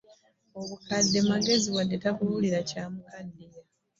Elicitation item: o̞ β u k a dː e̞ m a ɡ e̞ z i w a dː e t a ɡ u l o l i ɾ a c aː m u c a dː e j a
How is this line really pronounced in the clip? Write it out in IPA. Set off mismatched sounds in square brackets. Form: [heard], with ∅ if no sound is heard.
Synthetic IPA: o̞ β u k a dː e̞ m a ɡ e̞ z i w a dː e t a [k] u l [u] l i ɾ a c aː m u [k] a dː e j a